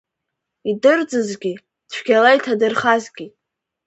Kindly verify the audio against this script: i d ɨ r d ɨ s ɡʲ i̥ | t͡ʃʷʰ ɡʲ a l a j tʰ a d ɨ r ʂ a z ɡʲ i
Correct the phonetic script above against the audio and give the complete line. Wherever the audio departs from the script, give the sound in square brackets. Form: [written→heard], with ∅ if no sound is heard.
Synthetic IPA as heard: i d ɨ r [d→d͡z] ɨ [s→z] ɡʲ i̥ | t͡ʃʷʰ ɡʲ a l a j tʰ a d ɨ r [ʂ→χ] a z ɡʲ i